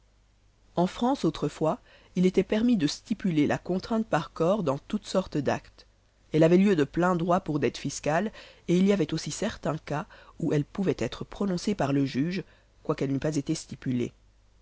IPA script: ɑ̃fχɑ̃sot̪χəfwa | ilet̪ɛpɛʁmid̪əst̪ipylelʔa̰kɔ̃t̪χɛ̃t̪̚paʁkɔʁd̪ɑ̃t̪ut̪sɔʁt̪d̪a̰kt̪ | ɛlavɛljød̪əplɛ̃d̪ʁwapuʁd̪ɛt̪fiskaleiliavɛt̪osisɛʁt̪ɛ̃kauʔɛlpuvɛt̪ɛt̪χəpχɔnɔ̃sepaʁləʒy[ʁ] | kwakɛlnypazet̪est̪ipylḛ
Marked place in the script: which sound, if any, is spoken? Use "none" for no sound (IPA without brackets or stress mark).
ʒ